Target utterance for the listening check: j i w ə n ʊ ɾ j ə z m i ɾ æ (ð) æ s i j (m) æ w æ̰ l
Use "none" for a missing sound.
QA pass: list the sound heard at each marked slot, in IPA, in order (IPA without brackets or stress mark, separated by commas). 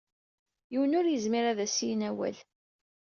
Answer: ð, n